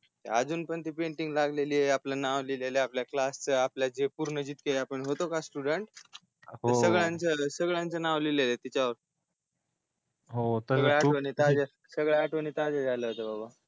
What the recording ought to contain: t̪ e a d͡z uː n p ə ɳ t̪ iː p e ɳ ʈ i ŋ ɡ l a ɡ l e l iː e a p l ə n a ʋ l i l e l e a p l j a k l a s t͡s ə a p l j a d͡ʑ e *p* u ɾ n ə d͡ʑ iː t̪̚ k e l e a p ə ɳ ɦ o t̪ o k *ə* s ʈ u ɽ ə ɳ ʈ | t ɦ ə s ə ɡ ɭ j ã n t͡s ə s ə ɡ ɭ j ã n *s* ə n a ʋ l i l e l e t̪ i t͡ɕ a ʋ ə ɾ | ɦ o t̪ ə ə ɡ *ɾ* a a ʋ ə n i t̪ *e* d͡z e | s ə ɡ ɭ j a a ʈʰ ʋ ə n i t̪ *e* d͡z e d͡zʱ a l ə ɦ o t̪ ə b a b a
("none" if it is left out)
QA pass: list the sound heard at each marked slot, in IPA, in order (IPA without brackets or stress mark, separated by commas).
p, a, t͡s, ɭ, a, a